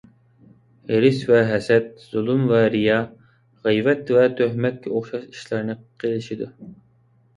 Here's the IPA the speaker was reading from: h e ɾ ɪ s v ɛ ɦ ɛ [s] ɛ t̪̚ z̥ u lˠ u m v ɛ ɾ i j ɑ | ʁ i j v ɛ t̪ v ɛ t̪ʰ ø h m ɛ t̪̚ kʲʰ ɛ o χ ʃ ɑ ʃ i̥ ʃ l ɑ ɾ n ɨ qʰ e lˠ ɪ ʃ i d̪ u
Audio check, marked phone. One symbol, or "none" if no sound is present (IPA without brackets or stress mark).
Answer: s